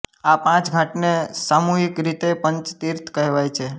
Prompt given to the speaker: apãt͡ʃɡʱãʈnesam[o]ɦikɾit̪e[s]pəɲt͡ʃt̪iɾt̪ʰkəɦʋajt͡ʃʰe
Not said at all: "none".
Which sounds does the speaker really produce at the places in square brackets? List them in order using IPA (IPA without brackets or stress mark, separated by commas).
u, none